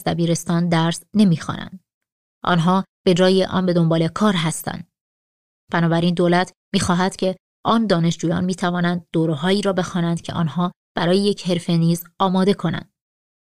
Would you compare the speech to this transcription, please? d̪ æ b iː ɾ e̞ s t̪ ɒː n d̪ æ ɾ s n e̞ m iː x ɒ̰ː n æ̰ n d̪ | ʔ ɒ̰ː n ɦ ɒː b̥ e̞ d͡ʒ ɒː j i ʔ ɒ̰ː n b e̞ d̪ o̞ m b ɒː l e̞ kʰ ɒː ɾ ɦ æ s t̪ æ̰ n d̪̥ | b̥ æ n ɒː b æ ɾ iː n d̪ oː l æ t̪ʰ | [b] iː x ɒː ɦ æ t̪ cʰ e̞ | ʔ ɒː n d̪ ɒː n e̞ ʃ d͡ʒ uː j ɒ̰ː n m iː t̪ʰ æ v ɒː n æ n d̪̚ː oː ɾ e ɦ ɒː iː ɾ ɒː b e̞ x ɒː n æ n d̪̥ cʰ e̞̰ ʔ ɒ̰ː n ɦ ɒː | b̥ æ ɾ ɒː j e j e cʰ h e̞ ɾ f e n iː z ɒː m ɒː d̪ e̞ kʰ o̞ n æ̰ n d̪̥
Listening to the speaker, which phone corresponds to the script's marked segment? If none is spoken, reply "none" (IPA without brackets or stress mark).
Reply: m